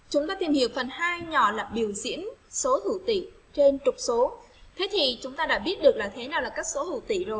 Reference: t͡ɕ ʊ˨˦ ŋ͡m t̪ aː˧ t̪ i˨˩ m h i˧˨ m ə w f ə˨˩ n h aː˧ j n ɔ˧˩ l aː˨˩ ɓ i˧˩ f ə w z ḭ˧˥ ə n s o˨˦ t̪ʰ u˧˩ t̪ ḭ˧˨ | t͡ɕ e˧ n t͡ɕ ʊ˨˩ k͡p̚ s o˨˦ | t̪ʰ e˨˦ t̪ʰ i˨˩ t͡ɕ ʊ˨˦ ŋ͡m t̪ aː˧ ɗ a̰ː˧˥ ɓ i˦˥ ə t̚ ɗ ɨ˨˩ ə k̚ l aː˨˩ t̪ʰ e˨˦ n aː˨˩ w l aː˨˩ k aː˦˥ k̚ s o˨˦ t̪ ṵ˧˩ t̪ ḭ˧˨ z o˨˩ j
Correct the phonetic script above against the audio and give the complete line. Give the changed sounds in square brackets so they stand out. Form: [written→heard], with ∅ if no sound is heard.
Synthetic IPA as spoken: t͡ɕ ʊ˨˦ ŋ͡m t̪ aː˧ t̪ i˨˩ m h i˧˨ [m→∅] ə w f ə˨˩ n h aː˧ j [n→ɲ] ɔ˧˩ l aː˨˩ ɓ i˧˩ [f→∅] ə w z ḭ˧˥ ə n s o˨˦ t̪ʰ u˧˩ t̪ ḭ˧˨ | t͡ɕ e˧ n t͡ɕ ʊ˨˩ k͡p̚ s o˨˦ | t̪ʰ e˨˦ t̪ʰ i˨˩ t͡ɕ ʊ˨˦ ŋ͡m t̪ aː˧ ɗ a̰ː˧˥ ɓ i˦˥ ə t̚ ɗ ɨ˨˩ ə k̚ l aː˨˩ t̪ʰ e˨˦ n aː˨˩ w l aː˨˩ k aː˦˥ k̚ s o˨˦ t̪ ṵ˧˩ t̪ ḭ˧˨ z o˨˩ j